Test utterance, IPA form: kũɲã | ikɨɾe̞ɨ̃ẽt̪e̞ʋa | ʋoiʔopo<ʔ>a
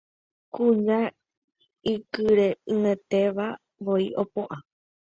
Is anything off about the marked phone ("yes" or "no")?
no